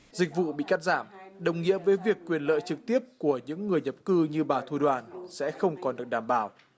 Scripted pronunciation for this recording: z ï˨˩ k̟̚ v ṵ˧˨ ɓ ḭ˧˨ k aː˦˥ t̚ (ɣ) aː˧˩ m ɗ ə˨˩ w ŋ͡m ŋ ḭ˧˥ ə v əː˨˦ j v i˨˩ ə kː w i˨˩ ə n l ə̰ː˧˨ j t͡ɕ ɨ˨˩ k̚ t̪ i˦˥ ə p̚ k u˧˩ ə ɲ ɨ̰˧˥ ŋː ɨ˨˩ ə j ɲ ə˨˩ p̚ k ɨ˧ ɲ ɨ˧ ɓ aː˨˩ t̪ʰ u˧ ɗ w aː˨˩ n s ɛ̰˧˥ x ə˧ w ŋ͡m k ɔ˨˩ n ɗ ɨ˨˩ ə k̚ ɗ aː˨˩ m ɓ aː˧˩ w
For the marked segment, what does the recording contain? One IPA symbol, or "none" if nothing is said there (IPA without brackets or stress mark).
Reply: z